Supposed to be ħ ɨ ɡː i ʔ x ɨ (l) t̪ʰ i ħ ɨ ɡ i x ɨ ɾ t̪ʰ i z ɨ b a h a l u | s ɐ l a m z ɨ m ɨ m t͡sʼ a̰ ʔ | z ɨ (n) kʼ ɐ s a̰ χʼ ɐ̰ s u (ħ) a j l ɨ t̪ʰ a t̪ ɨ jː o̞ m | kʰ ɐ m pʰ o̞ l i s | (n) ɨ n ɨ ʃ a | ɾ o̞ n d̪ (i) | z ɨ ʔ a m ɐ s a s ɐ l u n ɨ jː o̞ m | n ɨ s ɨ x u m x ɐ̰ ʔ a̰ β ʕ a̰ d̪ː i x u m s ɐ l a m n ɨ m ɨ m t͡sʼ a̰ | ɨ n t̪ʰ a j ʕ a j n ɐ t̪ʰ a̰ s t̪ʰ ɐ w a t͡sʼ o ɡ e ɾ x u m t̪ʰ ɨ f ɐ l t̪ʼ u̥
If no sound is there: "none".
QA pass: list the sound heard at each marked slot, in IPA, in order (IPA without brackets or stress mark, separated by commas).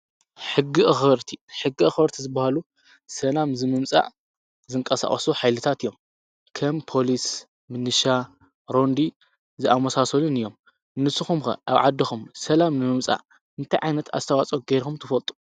ɾ, ŋ, ħ, m, i